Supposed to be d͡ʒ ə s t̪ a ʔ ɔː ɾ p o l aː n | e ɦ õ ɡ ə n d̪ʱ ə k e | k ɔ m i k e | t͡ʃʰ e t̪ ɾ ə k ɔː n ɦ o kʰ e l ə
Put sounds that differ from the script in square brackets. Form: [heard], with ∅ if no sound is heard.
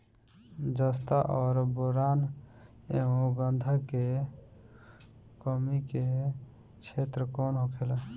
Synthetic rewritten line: d͡ʒ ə s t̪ a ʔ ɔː ɾ [b] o [ɾ] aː n | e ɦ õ ɡ ə n d̪ʱ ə k e | k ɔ m i k e | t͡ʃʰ e t̪ ɾ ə k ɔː n ɦ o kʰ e l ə